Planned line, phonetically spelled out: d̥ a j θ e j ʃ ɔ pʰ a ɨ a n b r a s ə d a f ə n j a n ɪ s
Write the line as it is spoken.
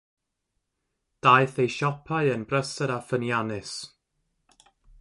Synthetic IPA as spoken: d̥ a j θ e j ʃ ɔ pʰ a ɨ ə n b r ə s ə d a f ə n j a n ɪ s